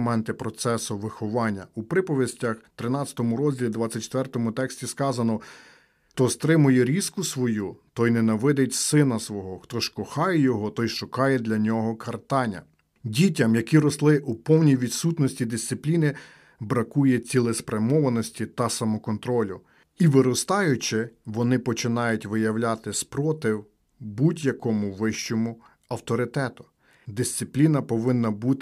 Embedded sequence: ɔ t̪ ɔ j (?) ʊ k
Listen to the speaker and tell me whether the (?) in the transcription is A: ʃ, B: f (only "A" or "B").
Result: A